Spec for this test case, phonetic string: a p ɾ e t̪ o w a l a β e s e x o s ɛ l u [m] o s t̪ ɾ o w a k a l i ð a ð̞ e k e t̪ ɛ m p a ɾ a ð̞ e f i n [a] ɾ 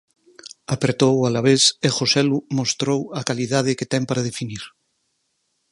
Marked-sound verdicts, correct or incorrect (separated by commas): correct, incorrect